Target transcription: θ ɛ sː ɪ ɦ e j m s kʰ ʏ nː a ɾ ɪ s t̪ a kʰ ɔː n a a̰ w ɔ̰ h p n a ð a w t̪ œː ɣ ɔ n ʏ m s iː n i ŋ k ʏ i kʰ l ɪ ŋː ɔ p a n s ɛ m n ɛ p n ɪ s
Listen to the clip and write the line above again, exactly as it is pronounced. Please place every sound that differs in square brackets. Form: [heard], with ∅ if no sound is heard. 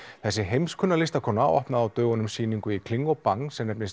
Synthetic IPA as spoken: θ ɛ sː ɪ ɦ e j m s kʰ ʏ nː a [l] ɪ s t̪ a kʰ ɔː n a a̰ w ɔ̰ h p n a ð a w t̪ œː ɣ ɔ n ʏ m s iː n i ŋ k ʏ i kʰ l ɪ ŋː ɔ p a [ŋ] s ɛ m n ɛ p n ɪ s